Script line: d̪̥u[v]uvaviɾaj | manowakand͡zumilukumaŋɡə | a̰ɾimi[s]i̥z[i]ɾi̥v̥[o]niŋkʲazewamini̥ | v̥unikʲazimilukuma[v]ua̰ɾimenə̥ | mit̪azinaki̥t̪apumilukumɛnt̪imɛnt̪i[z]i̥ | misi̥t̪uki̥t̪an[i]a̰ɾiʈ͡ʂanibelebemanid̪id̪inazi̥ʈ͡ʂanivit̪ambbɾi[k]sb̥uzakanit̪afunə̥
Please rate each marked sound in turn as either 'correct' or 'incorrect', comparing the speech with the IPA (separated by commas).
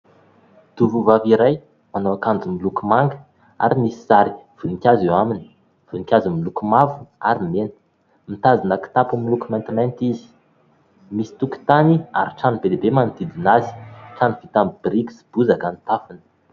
correct, correct, incorrect, incorrect, correct, correct, correct, correct